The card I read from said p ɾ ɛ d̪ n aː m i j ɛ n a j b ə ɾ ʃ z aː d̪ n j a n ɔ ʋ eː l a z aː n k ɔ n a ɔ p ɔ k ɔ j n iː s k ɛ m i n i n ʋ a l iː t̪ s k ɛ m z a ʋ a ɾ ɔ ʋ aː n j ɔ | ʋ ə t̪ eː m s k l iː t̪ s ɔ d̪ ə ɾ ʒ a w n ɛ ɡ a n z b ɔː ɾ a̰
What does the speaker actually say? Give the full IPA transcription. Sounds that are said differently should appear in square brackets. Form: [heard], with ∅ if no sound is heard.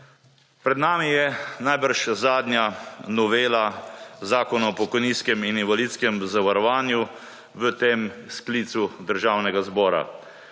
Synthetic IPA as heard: p ɾ ɛ d̪ n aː m i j ɛ n a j b ə ɾ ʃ z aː d̪ n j a n ɔ ʋ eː l a z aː [∅] k ɔ n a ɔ p ɔ k ɔ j n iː s k ɛ m i n i n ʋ a l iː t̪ s k ɛ m z a ʋ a ɾ ɔ ʋ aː n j [u] | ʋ ə t̪ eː m s k l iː t̪ s [u] d̪ ə ɾ ʒ a w n ɛ ɡ a [∅] z b ɔː ɾ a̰

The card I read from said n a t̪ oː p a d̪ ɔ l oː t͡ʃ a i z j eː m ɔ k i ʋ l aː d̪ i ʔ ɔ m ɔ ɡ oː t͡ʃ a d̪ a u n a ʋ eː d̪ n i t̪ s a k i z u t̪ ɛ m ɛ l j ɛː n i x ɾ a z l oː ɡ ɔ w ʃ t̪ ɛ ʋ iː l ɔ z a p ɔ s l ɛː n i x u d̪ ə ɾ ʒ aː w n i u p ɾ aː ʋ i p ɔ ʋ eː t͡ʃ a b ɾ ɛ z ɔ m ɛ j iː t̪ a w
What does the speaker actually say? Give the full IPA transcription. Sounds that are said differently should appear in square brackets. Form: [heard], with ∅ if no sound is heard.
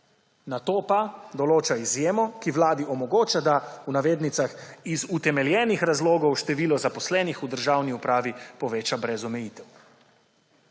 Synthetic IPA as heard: n a t̪ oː p a d̪ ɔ l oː t͡ʃ a i z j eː m ɔ k i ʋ l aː d̪ i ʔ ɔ m ɔ ɡ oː t͡ʃ a d̪ a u n a ʋ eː d̪ n i t̪ s a [x] i z u t̪ ɛ m ɛ l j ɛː n i x ɾ a z l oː ɡ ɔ w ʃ t̪ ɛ ʋ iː l ɔ z a p ɔ s l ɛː n i x u d̪ ə ɾ ʒ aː w n i u p ɾ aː ʋ i p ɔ ʋ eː t͡ʃ a b ɾ ɛ z ɔ m ɛ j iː t̪ [ɛ] w

